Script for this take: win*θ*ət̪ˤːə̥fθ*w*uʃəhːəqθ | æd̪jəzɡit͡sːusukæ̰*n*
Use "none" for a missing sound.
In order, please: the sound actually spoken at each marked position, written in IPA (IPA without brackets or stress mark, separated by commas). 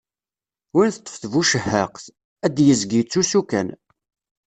θ, v, n